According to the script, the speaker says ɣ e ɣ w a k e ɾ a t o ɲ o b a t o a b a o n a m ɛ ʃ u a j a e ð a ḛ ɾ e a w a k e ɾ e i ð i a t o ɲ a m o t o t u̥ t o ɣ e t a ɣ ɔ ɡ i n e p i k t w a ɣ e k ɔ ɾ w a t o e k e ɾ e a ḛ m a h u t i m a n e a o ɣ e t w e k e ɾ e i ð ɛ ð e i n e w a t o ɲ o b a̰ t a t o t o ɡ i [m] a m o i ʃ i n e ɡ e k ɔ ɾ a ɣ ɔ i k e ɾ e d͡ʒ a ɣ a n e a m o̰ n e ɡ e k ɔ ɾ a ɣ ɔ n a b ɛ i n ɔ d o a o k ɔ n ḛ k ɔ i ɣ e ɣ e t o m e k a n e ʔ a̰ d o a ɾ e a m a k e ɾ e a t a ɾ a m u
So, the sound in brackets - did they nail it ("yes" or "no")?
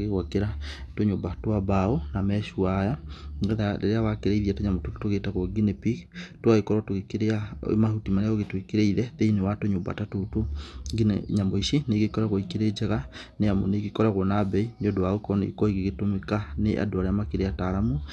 no